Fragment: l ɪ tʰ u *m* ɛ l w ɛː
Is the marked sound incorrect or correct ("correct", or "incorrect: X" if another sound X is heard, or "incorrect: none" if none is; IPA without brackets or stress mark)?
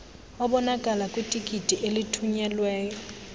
incorrect: ɲ